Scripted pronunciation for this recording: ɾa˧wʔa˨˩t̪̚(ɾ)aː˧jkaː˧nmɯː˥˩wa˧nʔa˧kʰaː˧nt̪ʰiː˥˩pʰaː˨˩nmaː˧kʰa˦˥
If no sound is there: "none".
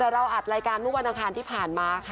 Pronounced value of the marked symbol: ɾ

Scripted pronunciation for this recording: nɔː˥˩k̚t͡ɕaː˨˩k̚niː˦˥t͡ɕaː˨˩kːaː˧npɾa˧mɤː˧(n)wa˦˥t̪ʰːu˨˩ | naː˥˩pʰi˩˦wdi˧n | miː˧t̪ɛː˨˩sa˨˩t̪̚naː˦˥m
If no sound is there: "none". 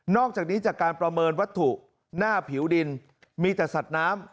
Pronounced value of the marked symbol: n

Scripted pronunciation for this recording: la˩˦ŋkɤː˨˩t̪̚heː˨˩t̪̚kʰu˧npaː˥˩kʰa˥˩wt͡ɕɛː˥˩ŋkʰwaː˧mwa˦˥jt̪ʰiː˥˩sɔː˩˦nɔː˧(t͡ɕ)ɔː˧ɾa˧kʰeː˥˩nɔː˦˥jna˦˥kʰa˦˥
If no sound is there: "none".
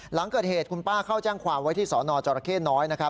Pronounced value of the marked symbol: t͡ɕ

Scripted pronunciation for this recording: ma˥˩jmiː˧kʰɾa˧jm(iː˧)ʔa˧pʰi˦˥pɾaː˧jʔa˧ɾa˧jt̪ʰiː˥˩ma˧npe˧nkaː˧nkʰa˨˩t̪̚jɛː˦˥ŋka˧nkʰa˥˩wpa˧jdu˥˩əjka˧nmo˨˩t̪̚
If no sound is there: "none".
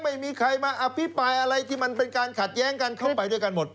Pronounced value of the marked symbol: aː˧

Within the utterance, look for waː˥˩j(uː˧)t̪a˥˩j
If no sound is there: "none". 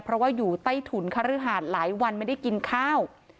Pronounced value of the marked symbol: uː˨˩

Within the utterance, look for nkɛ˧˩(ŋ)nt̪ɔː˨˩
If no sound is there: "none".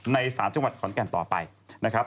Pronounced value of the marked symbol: none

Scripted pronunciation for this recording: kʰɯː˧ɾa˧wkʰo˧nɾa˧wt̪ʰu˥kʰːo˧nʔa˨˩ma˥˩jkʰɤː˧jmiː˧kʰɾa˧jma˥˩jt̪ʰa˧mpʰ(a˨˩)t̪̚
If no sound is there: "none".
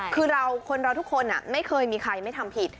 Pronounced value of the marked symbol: i˨˩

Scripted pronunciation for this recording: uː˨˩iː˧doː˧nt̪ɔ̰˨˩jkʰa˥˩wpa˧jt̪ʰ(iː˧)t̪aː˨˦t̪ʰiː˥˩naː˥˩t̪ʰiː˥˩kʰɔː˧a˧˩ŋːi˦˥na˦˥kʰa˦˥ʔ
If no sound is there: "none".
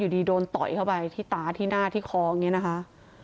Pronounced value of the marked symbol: iː˥˩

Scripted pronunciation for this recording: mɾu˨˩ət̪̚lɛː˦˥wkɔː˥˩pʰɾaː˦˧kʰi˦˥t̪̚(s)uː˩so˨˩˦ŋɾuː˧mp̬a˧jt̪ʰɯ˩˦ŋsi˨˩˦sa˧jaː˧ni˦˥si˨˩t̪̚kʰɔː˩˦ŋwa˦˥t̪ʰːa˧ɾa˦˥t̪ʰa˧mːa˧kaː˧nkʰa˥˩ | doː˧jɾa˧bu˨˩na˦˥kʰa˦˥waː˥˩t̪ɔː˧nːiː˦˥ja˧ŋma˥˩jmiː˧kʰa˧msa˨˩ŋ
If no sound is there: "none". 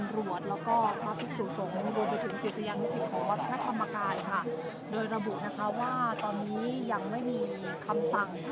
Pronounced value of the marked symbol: s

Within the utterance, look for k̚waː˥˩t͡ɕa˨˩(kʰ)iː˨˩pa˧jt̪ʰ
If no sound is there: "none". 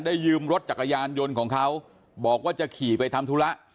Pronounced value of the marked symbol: kʰ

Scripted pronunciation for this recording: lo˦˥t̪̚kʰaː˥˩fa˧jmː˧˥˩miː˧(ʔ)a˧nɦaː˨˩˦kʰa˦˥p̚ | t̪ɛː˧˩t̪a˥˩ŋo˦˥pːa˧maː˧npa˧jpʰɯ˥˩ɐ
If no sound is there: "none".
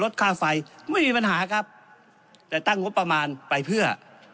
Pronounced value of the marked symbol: p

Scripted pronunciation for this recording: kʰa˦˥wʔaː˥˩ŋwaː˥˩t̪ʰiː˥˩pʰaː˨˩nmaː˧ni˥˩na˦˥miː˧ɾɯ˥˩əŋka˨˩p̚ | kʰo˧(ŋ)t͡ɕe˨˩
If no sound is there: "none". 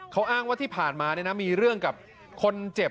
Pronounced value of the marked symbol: n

